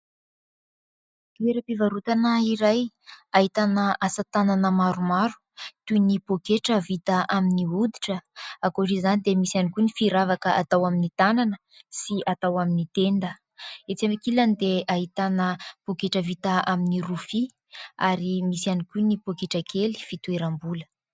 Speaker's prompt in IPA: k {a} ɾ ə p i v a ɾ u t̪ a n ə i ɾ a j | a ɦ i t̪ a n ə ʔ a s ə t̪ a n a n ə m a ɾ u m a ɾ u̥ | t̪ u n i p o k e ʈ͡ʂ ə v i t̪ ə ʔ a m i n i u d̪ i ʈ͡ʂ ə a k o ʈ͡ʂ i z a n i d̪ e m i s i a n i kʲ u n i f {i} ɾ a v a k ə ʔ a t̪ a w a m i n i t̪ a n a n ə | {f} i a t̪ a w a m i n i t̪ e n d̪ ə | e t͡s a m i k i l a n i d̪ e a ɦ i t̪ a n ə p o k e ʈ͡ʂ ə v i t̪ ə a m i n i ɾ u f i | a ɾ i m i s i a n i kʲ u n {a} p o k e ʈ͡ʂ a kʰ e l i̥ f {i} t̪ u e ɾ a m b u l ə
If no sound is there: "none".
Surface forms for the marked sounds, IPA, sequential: e, i, s, i, i

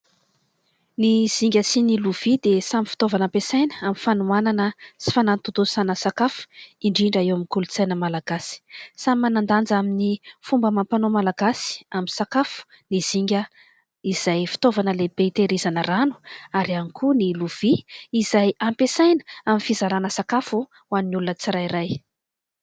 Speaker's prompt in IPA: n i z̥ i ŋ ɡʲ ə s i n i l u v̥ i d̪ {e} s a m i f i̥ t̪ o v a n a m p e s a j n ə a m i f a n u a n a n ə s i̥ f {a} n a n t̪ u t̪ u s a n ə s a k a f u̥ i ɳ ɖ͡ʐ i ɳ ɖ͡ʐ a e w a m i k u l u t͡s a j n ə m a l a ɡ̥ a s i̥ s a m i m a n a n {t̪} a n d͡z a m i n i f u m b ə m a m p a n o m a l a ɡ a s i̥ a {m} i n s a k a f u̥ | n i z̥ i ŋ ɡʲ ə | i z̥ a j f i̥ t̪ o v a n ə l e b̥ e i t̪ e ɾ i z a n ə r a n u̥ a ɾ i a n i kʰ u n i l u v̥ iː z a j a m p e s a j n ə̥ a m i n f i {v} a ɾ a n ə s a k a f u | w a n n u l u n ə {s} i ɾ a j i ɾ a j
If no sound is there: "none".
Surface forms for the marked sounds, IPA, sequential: e, a, d̪, m, z, t͡s

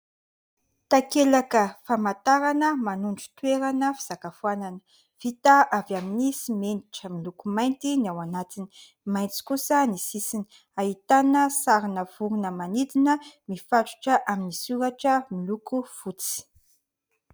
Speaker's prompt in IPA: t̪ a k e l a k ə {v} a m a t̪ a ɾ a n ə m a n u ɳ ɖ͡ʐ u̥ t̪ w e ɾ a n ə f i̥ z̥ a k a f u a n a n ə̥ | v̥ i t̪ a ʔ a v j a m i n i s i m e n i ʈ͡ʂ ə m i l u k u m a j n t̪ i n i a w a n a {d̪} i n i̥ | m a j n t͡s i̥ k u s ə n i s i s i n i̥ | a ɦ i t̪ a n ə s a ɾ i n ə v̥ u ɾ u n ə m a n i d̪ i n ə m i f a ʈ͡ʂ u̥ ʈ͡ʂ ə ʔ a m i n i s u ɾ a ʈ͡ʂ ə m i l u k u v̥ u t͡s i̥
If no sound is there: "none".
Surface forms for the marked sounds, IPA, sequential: f, t̪

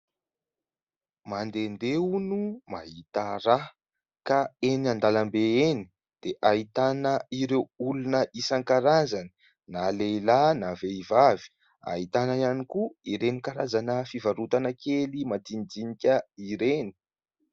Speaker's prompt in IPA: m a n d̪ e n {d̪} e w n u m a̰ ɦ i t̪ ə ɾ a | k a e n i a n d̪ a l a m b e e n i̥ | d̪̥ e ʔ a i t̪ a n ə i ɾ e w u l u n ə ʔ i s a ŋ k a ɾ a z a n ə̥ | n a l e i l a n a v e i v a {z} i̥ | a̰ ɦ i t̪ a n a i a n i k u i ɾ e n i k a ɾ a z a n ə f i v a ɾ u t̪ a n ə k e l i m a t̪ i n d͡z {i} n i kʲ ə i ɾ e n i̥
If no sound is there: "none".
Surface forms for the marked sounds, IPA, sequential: d̪, v, i

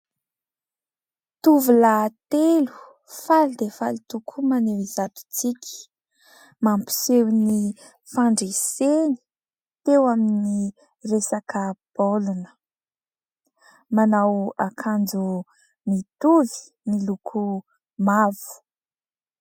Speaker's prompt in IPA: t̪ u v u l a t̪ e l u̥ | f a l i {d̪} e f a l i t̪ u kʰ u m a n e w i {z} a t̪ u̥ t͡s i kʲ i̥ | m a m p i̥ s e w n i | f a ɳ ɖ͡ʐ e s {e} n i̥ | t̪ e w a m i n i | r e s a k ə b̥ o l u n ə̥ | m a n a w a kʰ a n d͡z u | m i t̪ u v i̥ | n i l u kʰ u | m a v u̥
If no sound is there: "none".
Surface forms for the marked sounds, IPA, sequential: d̪, z, e

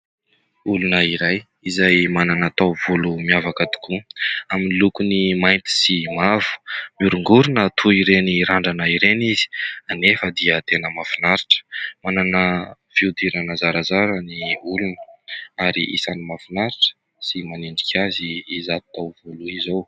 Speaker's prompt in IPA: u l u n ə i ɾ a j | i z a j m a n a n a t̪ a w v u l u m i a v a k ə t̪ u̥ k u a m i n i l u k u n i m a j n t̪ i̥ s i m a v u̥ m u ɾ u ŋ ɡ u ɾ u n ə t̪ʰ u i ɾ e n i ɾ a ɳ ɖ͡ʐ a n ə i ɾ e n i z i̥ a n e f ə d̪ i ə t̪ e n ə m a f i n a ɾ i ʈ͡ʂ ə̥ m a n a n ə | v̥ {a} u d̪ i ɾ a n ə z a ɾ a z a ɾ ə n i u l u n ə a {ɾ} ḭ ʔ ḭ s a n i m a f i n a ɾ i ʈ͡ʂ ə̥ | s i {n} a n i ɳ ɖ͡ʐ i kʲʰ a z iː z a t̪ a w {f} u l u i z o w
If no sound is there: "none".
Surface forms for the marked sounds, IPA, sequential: i, ɾ, m, v

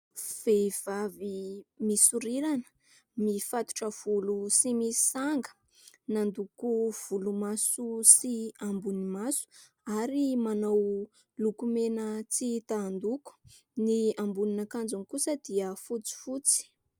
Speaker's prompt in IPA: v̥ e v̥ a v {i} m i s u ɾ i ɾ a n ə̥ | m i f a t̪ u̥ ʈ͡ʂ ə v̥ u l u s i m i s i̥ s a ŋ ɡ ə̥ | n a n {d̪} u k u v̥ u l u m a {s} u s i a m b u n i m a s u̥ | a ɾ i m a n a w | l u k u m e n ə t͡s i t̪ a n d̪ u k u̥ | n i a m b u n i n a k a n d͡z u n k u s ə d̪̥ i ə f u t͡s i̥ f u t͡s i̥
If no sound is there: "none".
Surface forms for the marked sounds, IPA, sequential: i, d̪, s

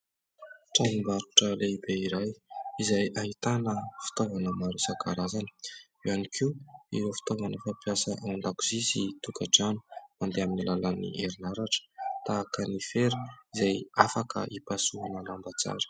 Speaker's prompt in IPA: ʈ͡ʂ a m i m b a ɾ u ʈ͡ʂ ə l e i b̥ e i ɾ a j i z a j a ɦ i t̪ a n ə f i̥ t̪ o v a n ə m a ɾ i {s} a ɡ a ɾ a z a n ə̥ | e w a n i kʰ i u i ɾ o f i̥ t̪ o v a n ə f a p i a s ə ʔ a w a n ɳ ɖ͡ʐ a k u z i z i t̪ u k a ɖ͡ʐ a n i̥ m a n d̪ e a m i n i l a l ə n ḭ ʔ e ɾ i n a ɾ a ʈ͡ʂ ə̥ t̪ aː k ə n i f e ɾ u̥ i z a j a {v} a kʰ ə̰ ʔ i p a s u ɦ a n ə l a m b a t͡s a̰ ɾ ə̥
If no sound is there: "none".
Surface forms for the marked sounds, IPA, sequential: s, f

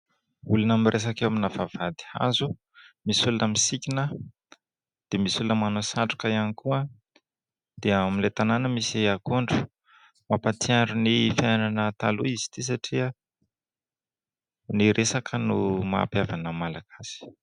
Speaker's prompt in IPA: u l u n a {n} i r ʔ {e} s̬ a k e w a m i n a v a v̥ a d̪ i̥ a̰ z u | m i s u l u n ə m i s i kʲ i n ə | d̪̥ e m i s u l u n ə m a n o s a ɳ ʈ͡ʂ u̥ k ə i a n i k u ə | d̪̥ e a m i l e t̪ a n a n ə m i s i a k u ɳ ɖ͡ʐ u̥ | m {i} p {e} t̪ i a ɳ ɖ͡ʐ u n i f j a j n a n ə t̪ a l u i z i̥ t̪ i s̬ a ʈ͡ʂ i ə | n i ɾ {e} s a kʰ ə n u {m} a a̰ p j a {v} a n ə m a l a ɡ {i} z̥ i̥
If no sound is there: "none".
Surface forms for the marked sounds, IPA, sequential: m, e, a, a, e, m, v, a

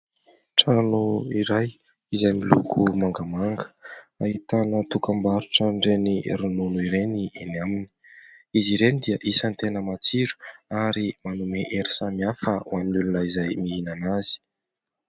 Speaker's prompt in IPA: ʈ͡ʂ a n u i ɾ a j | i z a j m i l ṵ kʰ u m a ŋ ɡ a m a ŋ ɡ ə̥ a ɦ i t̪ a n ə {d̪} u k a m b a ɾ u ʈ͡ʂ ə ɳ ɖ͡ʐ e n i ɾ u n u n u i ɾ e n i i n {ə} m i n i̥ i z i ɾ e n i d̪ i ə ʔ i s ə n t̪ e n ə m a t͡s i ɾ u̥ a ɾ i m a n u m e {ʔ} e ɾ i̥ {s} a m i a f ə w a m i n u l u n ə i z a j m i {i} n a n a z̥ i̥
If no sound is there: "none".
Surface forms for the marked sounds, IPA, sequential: t̪, a, ʔ, s, i

